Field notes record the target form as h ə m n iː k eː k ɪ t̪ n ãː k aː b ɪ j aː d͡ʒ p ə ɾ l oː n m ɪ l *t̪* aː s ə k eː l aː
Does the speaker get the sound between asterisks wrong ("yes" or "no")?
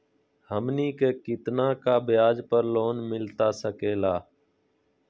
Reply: no